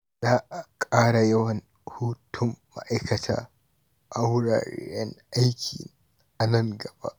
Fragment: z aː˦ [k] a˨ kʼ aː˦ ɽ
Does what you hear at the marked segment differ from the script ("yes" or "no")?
yes